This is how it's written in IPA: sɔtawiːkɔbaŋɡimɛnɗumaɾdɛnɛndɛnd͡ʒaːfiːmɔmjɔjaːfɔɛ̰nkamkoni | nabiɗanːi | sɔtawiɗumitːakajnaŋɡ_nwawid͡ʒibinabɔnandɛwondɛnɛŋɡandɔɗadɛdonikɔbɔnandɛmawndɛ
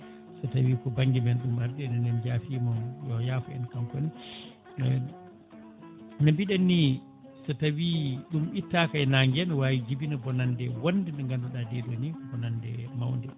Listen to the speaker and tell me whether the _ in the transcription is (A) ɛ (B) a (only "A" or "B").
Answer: A